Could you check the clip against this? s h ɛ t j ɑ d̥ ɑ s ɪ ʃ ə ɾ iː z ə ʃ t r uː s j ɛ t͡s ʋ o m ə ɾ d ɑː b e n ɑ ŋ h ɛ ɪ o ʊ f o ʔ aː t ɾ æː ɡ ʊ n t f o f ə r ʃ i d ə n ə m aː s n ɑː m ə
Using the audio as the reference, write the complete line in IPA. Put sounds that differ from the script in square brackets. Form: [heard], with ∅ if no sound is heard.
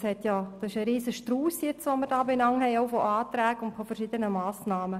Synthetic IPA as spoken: s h ɛ t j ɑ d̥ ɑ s ɪ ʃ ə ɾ iː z ə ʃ t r uː s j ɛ t͡s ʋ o m ə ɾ d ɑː b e n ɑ ŋ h ɛ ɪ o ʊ f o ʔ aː t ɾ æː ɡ ʊ n t f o f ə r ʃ i d ə n ə m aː s n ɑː m ə